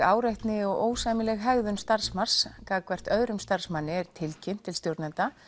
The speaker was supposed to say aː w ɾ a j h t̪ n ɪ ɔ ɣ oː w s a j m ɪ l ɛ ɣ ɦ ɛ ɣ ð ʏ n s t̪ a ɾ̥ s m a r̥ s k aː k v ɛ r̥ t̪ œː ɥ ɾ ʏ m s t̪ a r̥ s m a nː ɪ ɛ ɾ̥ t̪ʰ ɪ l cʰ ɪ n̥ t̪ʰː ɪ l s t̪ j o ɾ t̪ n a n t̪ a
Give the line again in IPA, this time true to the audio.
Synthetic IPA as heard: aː w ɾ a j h t̪ n ɪ ɔ ɣ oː w s a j m ɪ l ɛ ɣ ɦ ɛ ɣ ð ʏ n s t̪ a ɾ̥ s m a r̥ s k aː k v ɛ r̥ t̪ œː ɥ ɾ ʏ m s t̪ a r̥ s m a nː ɪ ɛ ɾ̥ t̪ʰ ɪ l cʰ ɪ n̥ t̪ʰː ɪ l s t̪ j o ɾ t̪ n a n t̪ a